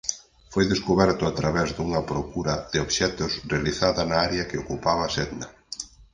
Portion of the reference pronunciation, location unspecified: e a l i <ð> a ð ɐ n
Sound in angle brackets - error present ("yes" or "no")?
yes